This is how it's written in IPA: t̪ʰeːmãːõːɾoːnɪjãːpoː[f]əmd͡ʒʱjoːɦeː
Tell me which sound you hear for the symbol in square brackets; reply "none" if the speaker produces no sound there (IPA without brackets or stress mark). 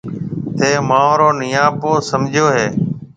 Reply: s